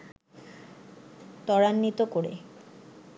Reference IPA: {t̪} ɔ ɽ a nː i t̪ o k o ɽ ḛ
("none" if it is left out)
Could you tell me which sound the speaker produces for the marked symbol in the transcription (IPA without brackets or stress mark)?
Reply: t̪